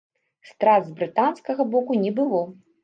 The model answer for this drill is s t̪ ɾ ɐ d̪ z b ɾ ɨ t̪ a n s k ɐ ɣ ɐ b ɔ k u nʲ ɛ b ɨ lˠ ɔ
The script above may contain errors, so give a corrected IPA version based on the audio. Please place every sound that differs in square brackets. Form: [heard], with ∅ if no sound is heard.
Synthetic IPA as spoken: s t̪ ɾ [a] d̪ z b ɾ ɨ t̪ a n s k ɐ ɣ ɐ b ɔ k u nʲ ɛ b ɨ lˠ ɔ